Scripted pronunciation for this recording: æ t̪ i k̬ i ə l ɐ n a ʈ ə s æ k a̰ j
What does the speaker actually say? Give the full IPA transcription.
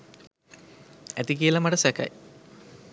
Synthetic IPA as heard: æ t̪ i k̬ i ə l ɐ m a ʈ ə s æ k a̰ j